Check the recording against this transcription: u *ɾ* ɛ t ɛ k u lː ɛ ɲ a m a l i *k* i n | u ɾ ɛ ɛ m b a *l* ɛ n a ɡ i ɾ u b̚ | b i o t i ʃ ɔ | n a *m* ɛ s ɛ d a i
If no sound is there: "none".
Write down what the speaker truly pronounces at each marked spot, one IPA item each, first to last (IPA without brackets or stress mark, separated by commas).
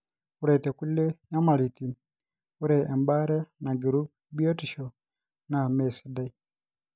ɾ, t, ɾ, m